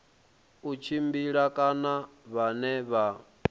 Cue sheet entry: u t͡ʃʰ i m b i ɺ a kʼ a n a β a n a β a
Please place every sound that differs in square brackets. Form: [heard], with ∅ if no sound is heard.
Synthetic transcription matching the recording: u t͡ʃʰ i m b i ɺ a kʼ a n a β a n [ɛ] β a